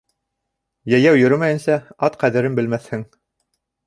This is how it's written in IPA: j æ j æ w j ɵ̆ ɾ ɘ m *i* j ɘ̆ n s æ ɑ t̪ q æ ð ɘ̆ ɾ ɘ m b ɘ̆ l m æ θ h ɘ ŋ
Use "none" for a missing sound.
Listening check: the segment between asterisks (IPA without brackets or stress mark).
æ